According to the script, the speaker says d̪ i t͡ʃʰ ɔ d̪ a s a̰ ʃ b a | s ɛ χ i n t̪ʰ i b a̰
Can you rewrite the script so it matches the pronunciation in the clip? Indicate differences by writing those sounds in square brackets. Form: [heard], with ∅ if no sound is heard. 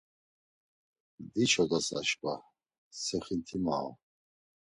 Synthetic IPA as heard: d̪ i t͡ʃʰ ɔ d̪ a s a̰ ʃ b a | s ɛ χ i n t̪ʰ i [m] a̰